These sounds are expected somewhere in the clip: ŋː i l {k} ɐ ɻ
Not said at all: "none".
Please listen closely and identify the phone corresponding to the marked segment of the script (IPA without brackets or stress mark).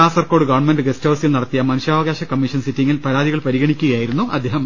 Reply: p